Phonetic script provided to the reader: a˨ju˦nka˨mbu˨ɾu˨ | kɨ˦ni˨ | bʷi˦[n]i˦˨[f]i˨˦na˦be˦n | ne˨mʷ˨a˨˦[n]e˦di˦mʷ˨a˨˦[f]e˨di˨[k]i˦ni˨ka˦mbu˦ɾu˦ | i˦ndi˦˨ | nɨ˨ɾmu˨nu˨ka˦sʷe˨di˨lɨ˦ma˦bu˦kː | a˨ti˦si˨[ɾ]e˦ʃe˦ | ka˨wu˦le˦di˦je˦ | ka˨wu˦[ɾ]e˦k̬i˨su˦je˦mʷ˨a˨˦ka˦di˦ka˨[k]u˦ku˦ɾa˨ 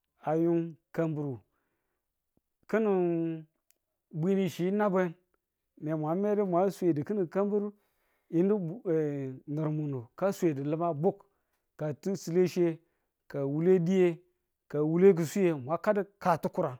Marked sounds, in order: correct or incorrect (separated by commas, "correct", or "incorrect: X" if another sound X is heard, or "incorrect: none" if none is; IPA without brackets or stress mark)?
correct, incorrect: ʃ, incorrect: m, incorrect: s, correct, incorrect: l, incorrect: l, incorrect: t